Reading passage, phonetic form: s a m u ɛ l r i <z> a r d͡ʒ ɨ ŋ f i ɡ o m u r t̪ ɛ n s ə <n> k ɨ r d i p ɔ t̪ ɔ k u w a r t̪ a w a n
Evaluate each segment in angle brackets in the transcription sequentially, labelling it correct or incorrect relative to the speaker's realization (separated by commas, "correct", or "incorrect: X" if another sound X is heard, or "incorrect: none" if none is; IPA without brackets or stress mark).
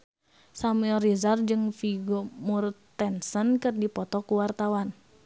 correct, correct